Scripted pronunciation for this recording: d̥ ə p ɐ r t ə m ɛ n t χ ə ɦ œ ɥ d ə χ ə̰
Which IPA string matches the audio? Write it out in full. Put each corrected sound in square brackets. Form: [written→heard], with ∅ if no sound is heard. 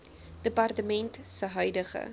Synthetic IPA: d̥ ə p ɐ r t ə m ɛ n t [χ→s] ə ɦ œ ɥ d ə χ ə̰

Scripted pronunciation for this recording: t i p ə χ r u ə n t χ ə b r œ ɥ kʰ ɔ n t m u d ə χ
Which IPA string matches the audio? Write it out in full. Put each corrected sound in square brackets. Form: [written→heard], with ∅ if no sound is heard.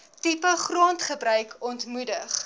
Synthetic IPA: t i p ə χ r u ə n t χ ə b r œ ɥ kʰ ɔ n t m u d ə χ

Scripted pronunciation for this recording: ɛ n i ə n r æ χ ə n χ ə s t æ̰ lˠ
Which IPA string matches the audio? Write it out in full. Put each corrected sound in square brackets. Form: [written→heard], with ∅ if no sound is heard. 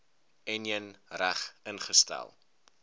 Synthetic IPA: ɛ n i ə n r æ χ ə n χ ə s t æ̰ lˠ

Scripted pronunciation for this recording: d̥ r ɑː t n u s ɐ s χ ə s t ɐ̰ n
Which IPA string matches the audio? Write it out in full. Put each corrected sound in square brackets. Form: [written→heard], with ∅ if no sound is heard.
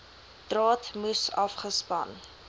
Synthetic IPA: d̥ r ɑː t [n→m] u s ɐ [s→f] χ ə s [t→p] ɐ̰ n

